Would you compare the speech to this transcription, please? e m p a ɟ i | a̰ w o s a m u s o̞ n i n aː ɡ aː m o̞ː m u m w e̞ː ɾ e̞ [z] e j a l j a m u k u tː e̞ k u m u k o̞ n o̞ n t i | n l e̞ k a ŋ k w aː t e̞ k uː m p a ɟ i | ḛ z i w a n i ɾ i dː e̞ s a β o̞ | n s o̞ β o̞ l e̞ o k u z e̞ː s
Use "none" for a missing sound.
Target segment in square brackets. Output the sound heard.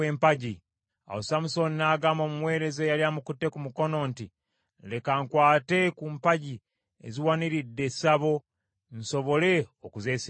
z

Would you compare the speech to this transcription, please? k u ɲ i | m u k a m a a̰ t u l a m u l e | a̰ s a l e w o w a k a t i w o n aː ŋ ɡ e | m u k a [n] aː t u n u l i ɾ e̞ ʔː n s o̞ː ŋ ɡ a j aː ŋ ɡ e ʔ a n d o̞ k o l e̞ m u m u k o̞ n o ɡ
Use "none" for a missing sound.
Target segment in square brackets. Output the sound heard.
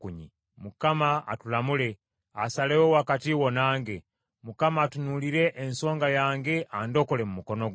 m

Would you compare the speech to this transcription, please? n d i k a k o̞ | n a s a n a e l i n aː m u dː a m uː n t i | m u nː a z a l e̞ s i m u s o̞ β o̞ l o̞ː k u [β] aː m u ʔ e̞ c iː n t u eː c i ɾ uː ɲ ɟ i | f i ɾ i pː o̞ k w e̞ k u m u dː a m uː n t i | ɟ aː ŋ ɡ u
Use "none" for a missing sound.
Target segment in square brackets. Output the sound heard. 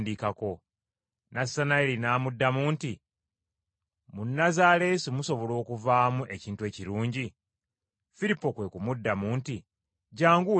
v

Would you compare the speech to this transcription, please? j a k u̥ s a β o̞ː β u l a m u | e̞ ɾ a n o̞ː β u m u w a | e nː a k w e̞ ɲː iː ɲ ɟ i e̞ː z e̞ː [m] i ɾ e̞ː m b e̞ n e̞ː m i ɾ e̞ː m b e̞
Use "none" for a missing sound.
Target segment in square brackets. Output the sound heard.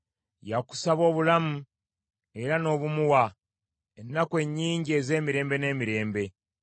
m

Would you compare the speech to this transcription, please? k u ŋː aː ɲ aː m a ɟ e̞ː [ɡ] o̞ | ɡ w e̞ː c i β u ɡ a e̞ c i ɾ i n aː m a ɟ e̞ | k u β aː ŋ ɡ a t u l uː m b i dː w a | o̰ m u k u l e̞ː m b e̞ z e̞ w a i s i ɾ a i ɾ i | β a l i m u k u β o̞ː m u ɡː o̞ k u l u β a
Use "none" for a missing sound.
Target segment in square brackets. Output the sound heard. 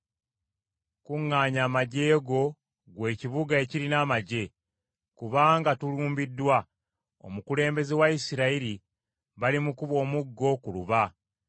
ɡ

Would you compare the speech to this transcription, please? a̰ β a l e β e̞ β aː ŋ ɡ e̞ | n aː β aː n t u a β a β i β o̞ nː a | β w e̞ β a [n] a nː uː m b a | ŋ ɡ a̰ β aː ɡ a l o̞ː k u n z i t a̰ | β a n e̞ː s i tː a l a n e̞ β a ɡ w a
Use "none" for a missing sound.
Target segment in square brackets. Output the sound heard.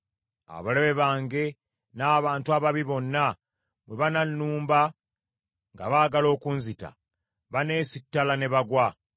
n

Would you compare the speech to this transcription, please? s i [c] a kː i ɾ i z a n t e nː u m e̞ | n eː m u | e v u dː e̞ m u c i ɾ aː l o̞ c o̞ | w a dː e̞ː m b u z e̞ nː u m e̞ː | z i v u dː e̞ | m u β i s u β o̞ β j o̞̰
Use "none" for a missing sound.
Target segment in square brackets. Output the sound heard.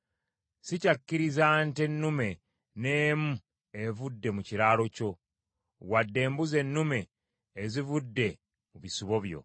c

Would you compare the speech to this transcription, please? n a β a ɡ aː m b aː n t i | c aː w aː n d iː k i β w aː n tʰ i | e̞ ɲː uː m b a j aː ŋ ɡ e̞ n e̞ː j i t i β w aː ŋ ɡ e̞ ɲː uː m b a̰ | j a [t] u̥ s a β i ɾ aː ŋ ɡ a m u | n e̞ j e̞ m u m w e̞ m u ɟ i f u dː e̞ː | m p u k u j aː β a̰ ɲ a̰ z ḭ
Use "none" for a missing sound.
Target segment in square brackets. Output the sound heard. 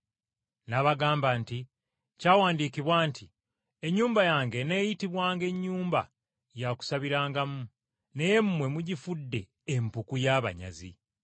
k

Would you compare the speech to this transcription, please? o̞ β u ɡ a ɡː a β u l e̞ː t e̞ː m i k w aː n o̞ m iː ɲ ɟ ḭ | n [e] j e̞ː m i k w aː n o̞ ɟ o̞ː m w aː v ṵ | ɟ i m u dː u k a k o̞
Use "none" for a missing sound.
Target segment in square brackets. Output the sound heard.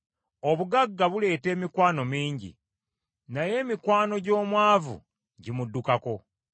a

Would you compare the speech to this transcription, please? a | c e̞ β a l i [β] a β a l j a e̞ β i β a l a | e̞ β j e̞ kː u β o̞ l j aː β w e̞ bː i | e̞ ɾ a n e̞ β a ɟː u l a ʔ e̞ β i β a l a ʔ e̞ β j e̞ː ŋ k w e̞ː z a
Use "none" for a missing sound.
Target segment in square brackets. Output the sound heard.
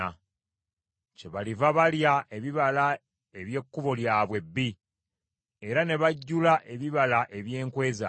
v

